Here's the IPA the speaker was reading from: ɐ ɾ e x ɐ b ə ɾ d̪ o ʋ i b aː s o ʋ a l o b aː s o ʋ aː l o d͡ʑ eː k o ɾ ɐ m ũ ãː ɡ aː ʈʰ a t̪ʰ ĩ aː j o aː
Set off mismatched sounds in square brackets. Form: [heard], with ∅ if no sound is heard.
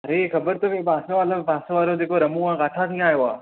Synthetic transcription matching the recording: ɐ ɾ e x ɐ b ə ɾ [t̪] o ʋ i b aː s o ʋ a l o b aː s o ʋ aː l o d͡ʑ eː k o ɾ ɐ m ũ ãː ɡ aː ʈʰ a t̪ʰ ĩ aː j o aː

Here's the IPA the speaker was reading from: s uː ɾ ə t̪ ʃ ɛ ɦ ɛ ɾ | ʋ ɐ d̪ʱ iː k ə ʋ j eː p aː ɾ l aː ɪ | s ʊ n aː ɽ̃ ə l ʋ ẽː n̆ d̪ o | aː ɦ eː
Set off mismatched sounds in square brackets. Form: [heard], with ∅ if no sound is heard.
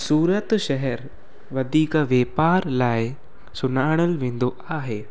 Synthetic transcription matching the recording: s uː ɾ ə t̪ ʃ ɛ ɦ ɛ ɾ | ʋ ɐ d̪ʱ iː k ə ʋ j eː p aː ɾ l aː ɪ | s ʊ n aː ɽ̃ ə l ʋ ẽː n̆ d̪ o | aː ɦ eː

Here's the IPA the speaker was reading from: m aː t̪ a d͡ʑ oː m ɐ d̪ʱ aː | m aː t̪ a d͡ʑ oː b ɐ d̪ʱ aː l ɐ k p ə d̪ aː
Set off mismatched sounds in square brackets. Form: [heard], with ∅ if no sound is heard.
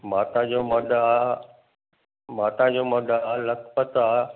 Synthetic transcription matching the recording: m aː t̪ a d͡ʑ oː m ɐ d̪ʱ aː | m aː t̪ a d͡ʑ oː [m] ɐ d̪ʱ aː l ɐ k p ə [t̪] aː

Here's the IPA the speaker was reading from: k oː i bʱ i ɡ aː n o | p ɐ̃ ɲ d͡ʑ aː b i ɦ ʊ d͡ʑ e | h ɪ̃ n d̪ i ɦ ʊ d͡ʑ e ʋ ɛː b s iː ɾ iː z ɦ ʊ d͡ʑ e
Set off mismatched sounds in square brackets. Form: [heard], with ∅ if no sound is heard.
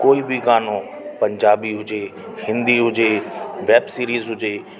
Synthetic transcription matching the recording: k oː i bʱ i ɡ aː n o | p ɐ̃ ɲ d͡ʑ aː b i ɦ ʊ d͡ʑ e | h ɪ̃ n d̪ i ɦ ʊ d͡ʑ e ʋ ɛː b s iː ɾ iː z ɦ ʊ d͡ʑ e

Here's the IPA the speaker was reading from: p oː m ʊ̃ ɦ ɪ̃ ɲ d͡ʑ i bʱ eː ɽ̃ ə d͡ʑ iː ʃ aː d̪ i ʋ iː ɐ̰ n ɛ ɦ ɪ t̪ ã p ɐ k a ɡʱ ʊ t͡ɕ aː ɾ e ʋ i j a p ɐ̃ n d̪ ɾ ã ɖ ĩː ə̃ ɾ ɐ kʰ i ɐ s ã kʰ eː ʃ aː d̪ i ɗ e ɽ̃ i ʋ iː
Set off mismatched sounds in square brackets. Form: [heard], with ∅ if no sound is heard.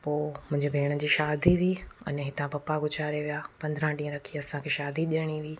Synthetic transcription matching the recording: p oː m ʊ̃ ɦ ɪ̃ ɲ d͡ʑ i bʱ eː ɽ̃ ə d͡ʑ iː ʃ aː d̪ i ʋ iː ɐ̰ n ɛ ɦ ɪ t̪ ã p ɐ [p] a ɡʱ ʊ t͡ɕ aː ɾ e ʋ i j a p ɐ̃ n d̪ ɾ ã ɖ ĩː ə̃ ɾ ɐ kʰ i ɐ s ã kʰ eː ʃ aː d̪ i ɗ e ɽ̃ i ʋ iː

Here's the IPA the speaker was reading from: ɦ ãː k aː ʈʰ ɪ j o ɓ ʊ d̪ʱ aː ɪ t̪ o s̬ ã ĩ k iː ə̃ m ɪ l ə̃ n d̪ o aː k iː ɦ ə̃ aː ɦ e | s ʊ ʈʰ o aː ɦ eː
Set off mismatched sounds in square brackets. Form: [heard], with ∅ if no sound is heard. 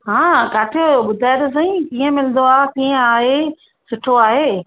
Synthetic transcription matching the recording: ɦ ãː k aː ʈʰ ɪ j o ɓ ʊ d̪ʱ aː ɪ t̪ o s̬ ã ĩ k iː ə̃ m ɪ l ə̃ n d̪ o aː k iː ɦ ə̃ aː ɦ e | s ʊ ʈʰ o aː ɦ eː

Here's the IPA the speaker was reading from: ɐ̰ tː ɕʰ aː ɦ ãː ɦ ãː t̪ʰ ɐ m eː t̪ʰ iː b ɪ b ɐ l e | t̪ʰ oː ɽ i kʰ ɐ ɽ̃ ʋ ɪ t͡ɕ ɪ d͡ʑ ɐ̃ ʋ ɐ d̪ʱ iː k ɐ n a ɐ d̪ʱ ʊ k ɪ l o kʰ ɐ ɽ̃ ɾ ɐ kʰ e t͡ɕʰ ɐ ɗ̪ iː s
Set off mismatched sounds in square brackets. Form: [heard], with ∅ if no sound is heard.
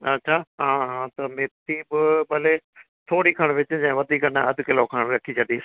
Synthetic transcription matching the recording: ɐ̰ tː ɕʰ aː ɦ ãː ɦ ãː [t̪] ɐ m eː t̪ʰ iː b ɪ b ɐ l e | t̪ʰ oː ɽ i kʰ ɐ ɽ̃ ʋ ɪ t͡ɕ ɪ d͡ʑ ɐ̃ ʋ ɐ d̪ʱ iː k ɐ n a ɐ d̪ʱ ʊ k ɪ l o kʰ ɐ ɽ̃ ɾ ɐ kʰ [i] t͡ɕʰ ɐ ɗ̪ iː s

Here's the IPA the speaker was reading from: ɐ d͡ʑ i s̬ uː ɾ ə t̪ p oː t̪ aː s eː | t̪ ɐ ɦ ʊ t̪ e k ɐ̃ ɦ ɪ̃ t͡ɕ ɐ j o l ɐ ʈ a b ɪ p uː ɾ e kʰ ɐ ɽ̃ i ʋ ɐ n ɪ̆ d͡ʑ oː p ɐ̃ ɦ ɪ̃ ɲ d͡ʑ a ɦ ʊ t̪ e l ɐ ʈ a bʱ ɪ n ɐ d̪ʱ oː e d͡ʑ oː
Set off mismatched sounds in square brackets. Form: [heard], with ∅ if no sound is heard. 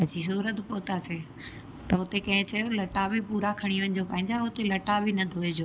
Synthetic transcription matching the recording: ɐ d͡ʑ i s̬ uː ɾ ə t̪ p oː t̪ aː s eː | t̪ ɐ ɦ ʊ t̪ e k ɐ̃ ɦ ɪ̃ t͡ɕ ɐ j o l ɐ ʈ a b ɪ p uː ɾ [a] kʰ ɐ ɽ̃ i ʋ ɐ n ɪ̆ d͡ʑ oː p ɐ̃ ɦ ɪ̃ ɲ d͡ʑ a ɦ ʊ t̪ e l ɐ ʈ a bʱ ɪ n ɐ d̪ʱ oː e d͡ʑ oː

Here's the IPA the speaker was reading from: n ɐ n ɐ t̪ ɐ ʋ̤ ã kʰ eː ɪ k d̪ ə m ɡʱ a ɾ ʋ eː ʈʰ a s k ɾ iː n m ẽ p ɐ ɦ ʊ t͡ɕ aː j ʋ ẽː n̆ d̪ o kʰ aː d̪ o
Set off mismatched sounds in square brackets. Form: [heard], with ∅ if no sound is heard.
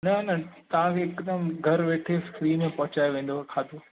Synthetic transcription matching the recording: n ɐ n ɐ t̪ ɐ ʋ̤ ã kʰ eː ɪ k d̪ ə m ɡʱ [ɐ] ɾ ʋ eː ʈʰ [e] s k ɾ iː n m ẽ p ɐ ɦ ʊ t͡ɕ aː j ʋ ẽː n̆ d̪ o kʰ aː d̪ o

